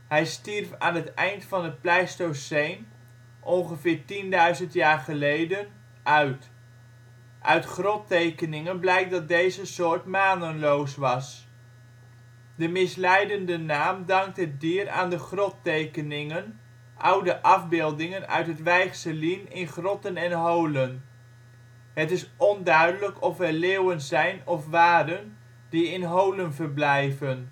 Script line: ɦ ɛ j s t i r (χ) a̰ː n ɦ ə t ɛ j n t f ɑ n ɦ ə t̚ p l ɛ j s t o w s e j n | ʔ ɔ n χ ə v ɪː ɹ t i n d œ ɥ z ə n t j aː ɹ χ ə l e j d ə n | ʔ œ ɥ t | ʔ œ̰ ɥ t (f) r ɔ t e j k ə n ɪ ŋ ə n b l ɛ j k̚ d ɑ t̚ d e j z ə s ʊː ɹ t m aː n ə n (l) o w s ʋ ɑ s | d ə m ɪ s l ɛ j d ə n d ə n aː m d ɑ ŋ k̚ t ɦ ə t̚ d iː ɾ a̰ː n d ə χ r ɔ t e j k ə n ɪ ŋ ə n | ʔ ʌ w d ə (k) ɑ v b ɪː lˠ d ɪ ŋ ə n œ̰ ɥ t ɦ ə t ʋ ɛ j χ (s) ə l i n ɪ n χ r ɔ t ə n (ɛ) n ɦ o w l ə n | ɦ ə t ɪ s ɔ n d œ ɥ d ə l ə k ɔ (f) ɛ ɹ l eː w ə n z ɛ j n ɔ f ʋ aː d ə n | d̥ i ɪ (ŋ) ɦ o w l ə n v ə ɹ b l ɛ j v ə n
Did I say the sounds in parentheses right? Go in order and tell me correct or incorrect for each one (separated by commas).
incorrect, incorrect, correct, incorrect, correct, correct, correct, incorrect